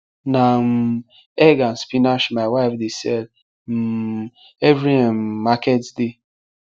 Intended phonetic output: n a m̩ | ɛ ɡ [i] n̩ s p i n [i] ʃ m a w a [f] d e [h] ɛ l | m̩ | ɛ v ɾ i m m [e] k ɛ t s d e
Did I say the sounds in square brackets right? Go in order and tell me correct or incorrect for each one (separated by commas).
incorrect, incorrect, correct, incorrect, incorrect